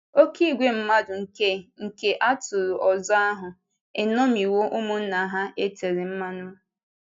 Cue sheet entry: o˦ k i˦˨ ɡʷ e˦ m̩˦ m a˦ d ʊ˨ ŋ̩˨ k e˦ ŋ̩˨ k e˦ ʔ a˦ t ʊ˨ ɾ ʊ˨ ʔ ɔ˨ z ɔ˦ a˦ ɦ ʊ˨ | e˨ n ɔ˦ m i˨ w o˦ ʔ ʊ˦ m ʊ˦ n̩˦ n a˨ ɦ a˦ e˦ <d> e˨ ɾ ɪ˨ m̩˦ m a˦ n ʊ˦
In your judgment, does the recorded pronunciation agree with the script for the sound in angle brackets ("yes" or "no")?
no